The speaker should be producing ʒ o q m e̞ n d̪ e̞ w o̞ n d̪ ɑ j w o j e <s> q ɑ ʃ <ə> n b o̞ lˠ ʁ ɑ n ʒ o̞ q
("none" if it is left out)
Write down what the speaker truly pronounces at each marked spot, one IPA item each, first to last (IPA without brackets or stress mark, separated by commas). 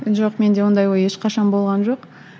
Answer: ʃ, ɑ